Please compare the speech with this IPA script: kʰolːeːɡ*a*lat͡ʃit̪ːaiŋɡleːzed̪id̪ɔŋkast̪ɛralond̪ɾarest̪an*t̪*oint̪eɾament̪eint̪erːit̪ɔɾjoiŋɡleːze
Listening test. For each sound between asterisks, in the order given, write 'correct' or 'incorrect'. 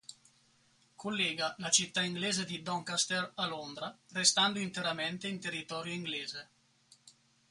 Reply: correct, incorrect: d̪

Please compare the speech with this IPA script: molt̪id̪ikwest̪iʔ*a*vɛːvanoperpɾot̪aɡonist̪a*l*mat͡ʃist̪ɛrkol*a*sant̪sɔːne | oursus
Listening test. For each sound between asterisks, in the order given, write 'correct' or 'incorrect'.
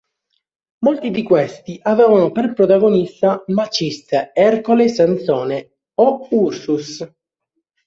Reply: correct, incorrect: none, incorrect: e

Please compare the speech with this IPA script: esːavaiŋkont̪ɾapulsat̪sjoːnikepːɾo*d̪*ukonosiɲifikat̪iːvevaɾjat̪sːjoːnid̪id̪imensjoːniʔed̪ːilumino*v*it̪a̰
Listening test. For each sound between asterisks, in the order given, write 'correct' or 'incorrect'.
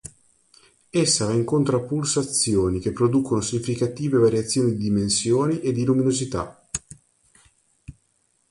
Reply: correct, incorrect: z

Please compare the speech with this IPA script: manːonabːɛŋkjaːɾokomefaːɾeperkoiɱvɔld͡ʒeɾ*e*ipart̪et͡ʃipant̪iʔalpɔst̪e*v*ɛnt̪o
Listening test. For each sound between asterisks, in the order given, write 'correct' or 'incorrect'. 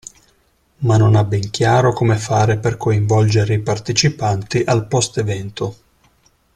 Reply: correct, correct

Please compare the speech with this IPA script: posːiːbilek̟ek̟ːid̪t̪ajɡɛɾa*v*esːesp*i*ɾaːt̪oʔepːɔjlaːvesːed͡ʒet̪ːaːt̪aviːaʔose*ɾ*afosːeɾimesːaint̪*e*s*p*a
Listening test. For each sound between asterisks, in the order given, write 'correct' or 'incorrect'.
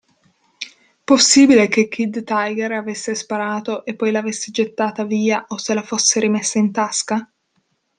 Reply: correct, incorrect: a, incorrect: l, incorrect: a, incorrect: k

